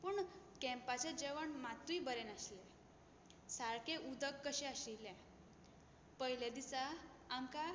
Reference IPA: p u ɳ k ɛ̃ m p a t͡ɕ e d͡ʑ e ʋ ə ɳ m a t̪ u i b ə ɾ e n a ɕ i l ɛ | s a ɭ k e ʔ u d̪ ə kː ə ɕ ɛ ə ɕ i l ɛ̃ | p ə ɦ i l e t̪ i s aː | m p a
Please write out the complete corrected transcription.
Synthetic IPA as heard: p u ɳ k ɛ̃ m p a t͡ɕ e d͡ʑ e ʋ ə ɳ m a t̪ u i b ə ɾ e n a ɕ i l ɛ | s a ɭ k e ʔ u d̪ ə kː ə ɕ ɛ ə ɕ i l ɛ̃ | p ə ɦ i l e d̪ i s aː | m k a

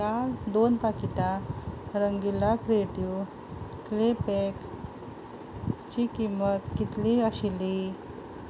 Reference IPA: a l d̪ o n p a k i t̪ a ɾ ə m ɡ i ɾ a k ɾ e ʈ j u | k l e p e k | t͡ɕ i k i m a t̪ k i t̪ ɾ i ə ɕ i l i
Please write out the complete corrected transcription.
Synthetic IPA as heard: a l d̪ o n p a k i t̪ a ɾ ə ŋ ɡ i l a k ɾ e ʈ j u | k l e p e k | t͡ɕ i k i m ə t̪ k i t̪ l i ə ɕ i l i

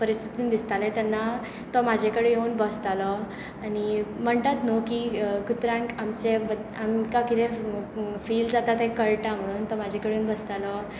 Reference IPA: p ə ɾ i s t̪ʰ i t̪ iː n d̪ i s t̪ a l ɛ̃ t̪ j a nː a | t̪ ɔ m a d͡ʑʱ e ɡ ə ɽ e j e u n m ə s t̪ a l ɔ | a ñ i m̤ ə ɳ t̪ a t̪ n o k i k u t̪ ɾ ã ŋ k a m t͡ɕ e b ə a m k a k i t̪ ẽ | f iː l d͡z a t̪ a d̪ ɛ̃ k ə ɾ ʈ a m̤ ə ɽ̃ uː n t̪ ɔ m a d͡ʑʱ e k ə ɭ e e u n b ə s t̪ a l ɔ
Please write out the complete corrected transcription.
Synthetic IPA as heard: p ə ɾ i s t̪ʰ i t̪ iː n d̪ i s t̪ a l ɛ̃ t̪ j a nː a | t̪ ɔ m a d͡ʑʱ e k ə ɽ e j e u n b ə s t̪ a l ɔ | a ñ i m̤ ə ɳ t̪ a t̪ n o k i k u t̪ ɾ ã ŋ k a m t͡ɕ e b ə a m k a k i t̪ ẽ | f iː l d͡z a t̪ a t̪ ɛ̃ k ə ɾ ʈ a m̤ ə ɽ̃ uː n t̪ ɔ m a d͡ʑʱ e k ə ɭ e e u n b ə s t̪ a l ɔ

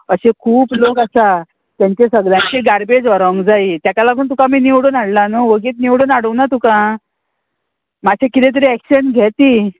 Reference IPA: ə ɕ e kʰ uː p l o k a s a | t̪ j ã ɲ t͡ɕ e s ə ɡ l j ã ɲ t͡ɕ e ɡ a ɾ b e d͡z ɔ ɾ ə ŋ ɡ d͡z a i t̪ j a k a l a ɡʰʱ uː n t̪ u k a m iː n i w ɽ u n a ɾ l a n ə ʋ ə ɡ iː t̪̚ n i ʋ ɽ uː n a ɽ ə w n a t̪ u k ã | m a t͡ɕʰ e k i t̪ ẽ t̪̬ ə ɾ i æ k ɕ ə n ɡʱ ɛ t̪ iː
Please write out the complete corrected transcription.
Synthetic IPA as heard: ə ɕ e kʰ uː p l o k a s a | t̪ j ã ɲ t͡ɕ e s ə ɡ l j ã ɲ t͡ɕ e ɡ a ɾ b e d͡z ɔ ɾ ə ŋ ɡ d͡z a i t̪ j a k a l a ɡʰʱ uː n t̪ u k a m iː n i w ɽ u n a ɽ l a n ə ʋ ə ɡ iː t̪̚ n i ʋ ɽ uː n a ɽ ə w n a t̪ u k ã | m a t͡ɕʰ e k i t̪ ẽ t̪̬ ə ɾ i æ k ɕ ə n ɡʱ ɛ t̪ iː

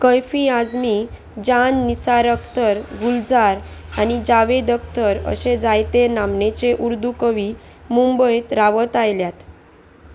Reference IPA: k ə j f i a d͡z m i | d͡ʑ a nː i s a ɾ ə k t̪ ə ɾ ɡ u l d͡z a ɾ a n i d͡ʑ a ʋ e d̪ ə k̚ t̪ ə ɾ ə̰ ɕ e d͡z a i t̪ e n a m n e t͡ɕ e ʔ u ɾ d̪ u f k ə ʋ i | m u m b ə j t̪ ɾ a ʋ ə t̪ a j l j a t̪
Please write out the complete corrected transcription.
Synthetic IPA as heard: k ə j f i a d͡z m i | d͡ʑ a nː i s a ɾ ə k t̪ ə ɾ ɡ u l d͡z a ɾ a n i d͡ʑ a ʋ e d̪ ə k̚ t̪ ə ɾ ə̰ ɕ e d͡z a j t̪ e n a m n e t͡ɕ e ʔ u ɾ d̪ u k ə ʋ i | m u m b ə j t̪ ɾ a ʋ ə t̪ a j l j a t̪

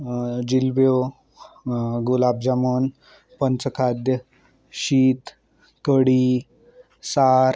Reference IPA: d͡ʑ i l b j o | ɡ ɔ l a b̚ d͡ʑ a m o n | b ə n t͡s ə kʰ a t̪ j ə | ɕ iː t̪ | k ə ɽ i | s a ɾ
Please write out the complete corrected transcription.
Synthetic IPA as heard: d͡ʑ i l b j o | ɡ u l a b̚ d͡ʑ a m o n | p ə n t͡s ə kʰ a d̪ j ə | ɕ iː t̪ | k ə ɽ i | s a ɾ

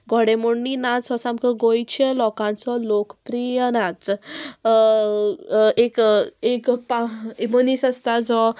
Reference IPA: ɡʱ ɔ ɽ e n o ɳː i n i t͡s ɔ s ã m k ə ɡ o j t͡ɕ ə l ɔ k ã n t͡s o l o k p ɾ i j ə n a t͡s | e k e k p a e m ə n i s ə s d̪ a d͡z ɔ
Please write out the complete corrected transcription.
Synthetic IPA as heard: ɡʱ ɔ ɽ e m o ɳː i n a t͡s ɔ s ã m k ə ɡ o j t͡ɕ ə l ɔ k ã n t͡s ɔ l o k p ɾ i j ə n a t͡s | e k e k p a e m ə n i s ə s t̪ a d͡z ɔ

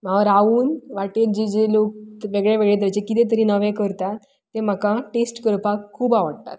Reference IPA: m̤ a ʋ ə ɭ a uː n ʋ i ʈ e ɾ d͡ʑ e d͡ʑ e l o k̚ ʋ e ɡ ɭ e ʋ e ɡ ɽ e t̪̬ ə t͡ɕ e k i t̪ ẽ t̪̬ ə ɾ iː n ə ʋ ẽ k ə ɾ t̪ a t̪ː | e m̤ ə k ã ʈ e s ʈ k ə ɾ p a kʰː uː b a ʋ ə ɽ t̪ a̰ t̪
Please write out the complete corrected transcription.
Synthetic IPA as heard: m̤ a ʋ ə ɾ a uː n ʋ a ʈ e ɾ d͡ʑ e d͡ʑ e l o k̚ ʋ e ɡ ɭ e ʋ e ɡ ɭ e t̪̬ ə t͡ɕ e k i t̪ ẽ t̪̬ ə ɾ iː n ə ʋ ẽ k ə ɾ t̪ a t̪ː | e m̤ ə k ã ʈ e s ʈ k ə ɾ p a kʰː uː b a ʋ ə ɽ t̪ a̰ t̪

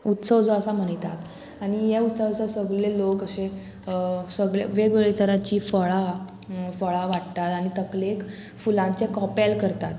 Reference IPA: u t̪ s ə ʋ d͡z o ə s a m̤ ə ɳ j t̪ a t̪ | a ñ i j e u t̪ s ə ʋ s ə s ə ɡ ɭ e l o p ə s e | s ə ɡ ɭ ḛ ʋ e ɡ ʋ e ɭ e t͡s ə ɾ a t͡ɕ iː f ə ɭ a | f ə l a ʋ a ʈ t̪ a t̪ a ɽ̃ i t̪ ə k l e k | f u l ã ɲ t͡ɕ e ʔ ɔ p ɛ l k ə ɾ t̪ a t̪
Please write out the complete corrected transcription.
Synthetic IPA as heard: u t̪ s ə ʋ d͡z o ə s a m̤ ə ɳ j t̪ a t̪ | a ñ i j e u t̪ s ə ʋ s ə s ə ɡ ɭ e l o k ə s e | s ə ɡ ɭ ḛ ʋ e ɡ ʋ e ɭ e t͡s ə ɾ a t͡ɕ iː f ə ɭ a | f ə ɭ a ʋ a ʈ t̪ a t̪ a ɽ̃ i t̪ ə k l e k | f u l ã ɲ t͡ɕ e k ɔ p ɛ l k ə ɾ t̪ a t̪

